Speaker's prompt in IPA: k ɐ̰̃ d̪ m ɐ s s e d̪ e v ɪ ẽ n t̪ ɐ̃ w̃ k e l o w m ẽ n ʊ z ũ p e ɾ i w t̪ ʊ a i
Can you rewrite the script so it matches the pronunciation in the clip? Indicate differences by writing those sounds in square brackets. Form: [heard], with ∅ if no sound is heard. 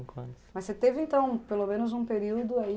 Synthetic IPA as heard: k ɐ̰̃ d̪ m ɐ s s e [t̪] e v ɪ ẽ n t̪ ɐ̃ w̃ [p] e l o [∅] m ẽ n ʊ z ũ p e ɾ i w [d̪] ʊ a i